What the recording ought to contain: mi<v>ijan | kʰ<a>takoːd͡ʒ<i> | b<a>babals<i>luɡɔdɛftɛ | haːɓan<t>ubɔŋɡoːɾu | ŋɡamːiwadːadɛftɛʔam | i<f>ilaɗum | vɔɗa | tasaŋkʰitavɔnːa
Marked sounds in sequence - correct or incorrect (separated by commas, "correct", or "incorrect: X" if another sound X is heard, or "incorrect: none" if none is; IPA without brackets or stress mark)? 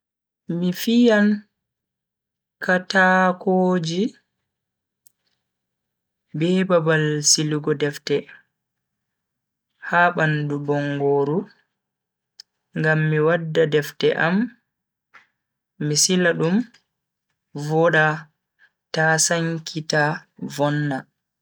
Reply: incorrect: f, correct, correct, incorrect: ɛ, correct, incorrect: d, incorrect: s